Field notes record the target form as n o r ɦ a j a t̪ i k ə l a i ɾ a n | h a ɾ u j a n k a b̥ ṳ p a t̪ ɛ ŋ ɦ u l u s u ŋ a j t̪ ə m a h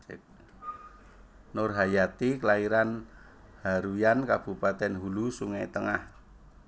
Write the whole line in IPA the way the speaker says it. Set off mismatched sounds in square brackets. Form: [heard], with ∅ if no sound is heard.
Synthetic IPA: n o r ɦ a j a t̪ i k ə l a i ɾ a n | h a ɾ u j a n k a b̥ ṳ p a t̪ ɛ [n] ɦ u l u s u ŋ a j t̪ ə [ŋ] a h

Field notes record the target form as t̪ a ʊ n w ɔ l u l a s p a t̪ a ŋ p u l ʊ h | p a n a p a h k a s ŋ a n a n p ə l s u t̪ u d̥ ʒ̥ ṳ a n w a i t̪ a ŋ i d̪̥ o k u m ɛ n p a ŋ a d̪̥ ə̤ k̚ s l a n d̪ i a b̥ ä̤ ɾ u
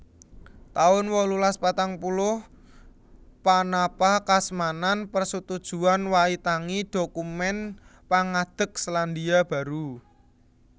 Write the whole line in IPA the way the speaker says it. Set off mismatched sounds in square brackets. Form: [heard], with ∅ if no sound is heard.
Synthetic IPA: t̪ a ʊ n w ɔ l u l a s p a t̪ a ŋ p u l ʊ h | p a n a p a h k a s [m] a n a n p ə [r] s u t̪ u d̥ ʒ̥ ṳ a n w a i t̪ a ŋ i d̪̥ o k u m ɛ n p a ŋ a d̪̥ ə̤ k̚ s l a n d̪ i a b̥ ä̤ ɾ u

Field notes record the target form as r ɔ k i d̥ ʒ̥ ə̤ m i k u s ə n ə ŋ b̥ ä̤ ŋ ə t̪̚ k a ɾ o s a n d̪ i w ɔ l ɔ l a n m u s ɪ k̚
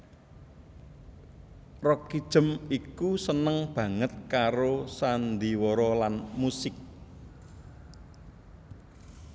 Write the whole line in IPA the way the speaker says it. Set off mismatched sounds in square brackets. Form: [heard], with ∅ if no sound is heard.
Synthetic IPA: r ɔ k i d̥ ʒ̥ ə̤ m i k u s ə n ə ŋ b̥ ä̤ ŋ ə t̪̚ k a ɾ o s a n d̪ i w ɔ [ɾ] ɔ l a n m u s ɪ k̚

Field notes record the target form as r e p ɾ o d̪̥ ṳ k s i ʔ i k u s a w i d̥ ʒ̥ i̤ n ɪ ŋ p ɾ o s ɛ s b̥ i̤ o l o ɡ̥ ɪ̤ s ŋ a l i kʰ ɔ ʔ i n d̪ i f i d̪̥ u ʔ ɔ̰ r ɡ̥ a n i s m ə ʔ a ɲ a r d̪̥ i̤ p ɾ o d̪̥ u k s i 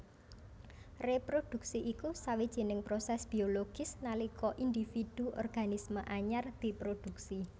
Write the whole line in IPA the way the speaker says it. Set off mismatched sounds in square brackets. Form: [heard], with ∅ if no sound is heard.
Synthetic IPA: r e p ɾ o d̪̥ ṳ k s i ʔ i k u s a w i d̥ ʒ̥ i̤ n ɪ ŋ p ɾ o s ɛ s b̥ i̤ o l o ɡ̥ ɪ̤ s [n] a l i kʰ ɔ ʔ i n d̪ i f i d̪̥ u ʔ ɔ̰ r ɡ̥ a n i s m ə ʔ a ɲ a r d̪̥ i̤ p ɾ o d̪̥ u k s i

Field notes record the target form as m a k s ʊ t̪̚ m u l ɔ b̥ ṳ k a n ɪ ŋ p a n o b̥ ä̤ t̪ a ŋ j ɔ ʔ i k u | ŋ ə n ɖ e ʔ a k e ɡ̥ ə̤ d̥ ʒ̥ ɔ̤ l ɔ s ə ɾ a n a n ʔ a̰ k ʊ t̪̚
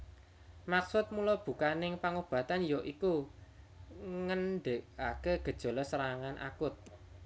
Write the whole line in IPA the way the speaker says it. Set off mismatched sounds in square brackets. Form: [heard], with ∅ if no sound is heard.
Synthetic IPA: m a k s ʊ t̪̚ m u l ɔ b̥ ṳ k a n ɪ ŋ p a [ŋ] o b̥ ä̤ t̪ a [n] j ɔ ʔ i k u | ŋ ə n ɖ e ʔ a k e ɡ̥ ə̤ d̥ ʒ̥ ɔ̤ l ɔ s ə ɾ a [ŋ] a n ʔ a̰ k ʊ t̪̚

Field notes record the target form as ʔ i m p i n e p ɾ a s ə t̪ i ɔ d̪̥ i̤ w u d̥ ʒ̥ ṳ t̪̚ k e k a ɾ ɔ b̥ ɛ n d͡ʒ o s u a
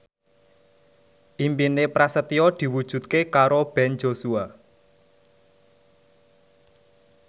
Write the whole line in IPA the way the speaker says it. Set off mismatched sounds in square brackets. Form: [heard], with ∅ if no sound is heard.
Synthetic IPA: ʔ i m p i n e p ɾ a s ə t̪ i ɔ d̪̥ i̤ w u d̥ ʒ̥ ṳ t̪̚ k e k a ɾ [o] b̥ ɛ n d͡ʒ o s u a

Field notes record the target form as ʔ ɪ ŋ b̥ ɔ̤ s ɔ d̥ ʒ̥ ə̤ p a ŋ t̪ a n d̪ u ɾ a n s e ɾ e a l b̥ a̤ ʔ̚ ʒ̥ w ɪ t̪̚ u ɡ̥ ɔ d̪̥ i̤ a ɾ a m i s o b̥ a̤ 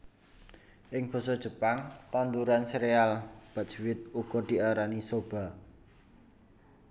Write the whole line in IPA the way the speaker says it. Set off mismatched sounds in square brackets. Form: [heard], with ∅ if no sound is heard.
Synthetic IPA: ʔ ɪ ŋ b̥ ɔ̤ s ɔ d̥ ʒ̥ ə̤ p a ŋ t̪ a n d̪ u ɾ a n s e ɾ e a l b̥ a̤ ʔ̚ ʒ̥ w ɪ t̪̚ u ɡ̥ ɔ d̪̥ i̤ a ɾ a [n] i s o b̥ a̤

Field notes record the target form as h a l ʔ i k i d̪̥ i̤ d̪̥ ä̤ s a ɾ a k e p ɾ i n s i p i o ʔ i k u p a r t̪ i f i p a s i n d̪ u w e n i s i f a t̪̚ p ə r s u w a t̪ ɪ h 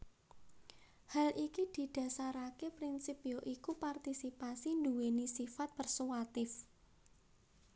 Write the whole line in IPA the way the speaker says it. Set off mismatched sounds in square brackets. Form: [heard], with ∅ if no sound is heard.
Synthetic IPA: h a l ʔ i k i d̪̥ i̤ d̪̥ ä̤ s a ɾ a k e p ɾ i n s i p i o ʔ i k u p a r t̪ i [s] i p a s i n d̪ u w e n i s i f a t̪̚ p ə r s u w a t̪ ɪ [f]

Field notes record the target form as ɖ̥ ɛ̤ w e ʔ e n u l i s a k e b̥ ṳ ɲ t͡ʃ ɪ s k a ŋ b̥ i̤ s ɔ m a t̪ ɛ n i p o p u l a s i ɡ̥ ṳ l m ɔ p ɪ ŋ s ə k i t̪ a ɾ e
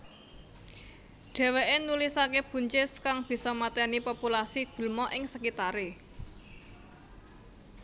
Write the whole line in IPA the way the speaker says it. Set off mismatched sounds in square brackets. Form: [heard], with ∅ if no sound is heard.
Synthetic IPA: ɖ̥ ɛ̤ w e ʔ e n u l i s a k e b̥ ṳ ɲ t͡ʃ ɪ s k a ŋ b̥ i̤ s ɔ m a t̪ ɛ n i p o p u l a s i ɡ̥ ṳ l m ɔ [ʔ] ɪ ŋ s ə k i t̪ a ɾ e

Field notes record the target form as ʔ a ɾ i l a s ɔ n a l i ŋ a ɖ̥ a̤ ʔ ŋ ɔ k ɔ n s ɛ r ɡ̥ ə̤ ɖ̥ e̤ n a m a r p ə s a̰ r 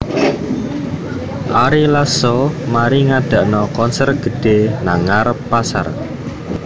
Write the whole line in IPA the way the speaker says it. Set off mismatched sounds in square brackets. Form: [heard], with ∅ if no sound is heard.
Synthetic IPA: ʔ a ɾ i l a s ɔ [m] a [ɾ] i ŋ a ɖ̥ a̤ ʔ [n] ɔ k ɔ n s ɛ r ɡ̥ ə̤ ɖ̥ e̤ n a [ŋ] a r p [a] s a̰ r

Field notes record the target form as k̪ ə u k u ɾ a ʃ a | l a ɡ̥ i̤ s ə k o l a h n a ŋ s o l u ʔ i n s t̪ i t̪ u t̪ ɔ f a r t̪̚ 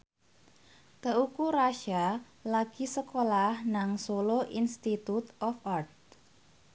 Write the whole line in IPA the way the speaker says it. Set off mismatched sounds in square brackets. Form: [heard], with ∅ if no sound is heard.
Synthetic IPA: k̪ ə u k u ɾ a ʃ a | l a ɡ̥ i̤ s ə k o l a h n a ŋ s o l [o] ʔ i n s t̪ i t̪ u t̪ ɔ f a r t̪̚

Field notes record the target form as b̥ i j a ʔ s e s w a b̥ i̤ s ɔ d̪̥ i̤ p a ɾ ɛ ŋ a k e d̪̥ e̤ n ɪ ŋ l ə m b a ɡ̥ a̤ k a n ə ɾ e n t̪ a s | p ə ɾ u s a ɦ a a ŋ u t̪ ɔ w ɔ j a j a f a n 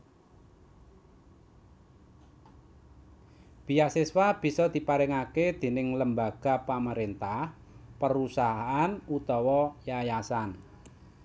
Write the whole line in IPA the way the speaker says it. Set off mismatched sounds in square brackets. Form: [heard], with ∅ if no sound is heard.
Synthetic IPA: b̥ i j a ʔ s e s w a b̥ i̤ s ɔ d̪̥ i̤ p a ɾ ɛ ŋ a k e d̪̥ e̤ n ɪ ŋ l ə m b a ɡ̥ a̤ [p] a [m] ə ɾ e n t̪ a [h] | p ə ɾ u s a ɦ a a [n] u t̪ ɔ w ɔ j a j a [s] a n

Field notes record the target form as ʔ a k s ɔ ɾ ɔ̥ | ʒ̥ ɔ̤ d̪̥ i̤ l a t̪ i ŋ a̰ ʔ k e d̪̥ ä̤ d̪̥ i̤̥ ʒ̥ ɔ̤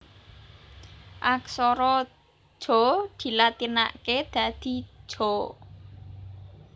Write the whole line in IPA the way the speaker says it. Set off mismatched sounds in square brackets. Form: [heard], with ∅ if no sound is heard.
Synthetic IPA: ʔ a k s ɔ ɾ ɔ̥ | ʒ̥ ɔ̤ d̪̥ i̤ l a t̪ i [n] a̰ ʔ k e d̪̥ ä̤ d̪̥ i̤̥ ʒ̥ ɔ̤

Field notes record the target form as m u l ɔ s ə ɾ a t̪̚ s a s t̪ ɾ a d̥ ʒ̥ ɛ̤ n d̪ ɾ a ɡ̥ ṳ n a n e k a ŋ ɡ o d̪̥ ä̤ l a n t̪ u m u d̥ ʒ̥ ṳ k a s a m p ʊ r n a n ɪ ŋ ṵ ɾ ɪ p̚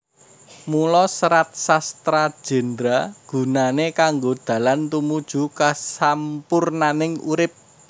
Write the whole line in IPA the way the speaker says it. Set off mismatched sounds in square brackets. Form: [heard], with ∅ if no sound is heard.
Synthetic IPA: m u l ɔ s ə ɾ a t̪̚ s a s t̪ ɾ a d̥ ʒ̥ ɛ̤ n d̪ ɾ a ɡ̥ ṳ n a n e k a ŋ ɡ o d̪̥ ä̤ l a n t̪ u m u d̥ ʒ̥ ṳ k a s a m p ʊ r n a n ɪ ŋ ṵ ɾ ɪ p̚

